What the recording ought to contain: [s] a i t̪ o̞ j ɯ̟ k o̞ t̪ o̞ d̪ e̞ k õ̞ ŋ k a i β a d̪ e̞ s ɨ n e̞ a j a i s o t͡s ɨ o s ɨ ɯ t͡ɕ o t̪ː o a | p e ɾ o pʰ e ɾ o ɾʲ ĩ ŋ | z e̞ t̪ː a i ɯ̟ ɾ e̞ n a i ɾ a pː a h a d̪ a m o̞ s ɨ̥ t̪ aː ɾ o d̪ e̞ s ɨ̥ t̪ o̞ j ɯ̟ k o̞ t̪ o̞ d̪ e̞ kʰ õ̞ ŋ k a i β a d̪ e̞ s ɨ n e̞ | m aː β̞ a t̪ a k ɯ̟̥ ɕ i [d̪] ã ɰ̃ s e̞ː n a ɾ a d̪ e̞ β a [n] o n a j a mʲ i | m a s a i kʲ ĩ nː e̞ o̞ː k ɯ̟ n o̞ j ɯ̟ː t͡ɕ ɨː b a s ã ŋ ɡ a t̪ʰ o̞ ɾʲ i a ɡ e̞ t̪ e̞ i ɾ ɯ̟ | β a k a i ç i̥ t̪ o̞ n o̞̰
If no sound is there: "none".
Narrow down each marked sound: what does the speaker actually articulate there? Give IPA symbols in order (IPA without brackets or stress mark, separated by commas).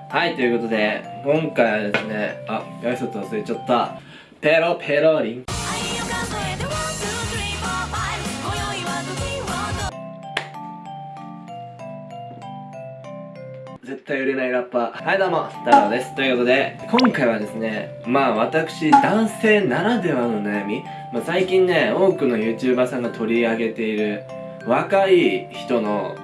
h, d̪, n